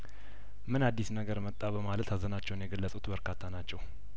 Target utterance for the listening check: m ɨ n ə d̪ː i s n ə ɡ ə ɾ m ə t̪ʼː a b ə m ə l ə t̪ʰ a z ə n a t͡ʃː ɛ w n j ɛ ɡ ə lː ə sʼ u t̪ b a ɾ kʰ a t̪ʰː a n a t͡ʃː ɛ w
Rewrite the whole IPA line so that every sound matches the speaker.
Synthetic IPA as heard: m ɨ n a d̪ː i s n ə ɡ ə ɾ m ə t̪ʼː a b ə m a l ə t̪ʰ a z ə n a t͡ʃː ɛ w n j ɛ ɡ ə lː ə sʼ u t̪ b ə ɾ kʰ a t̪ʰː a n a t͡ʃː ɛ w